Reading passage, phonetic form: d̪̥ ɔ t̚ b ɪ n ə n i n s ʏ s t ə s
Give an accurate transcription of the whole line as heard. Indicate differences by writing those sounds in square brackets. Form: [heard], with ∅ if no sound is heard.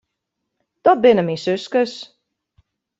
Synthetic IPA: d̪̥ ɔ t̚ b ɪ n ə [m] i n s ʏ s [k] ə s